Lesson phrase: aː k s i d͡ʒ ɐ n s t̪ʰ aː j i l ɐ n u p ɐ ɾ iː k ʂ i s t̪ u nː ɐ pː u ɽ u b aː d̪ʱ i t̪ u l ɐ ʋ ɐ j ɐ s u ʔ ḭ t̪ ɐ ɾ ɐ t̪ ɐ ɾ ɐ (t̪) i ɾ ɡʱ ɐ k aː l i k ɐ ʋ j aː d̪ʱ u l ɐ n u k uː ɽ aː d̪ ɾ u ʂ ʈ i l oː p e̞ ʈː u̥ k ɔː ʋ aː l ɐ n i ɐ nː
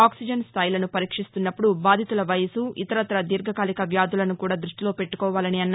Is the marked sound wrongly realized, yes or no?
yes